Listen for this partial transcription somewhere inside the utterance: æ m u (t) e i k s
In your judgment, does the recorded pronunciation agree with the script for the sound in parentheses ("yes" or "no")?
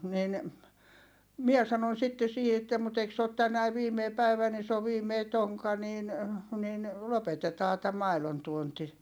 yes